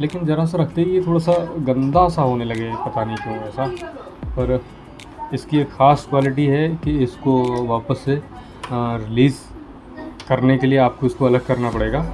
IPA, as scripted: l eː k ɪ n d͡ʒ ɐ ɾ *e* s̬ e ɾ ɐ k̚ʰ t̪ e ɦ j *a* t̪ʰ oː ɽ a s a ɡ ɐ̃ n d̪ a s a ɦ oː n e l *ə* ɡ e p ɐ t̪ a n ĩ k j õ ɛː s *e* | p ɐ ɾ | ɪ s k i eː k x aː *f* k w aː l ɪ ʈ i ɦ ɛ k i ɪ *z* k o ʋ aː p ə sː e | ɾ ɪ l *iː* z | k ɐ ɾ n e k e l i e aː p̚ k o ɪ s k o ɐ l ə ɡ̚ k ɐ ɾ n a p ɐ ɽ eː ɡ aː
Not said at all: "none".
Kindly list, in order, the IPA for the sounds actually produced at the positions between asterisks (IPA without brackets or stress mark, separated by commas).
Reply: a, e, ɐ, a, s, s, iː